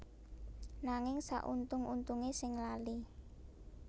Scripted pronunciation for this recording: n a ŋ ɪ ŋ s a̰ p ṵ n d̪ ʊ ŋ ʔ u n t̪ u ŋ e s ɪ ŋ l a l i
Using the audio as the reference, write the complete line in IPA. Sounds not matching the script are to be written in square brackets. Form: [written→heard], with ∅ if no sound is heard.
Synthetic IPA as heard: n a ŋ ɪ ŋ s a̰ [p→ʔ] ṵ n [d̪→t̪] ʊ ŋ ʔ u n t̪ u ŋ e s ɪ ŋ l a l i